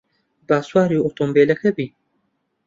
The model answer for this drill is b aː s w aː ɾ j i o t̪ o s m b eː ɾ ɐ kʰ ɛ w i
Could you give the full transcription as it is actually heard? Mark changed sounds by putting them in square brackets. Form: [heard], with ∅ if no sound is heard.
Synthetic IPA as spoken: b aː s w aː ɾ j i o t̪ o [∅] m b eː [l] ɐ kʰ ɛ [b] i